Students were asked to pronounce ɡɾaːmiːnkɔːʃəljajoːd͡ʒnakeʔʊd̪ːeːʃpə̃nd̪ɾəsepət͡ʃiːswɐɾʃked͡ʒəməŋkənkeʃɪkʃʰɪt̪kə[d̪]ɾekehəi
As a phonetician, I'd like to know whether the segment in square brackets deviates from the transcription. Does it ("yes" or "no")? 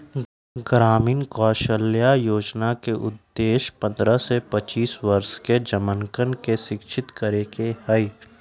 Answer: yes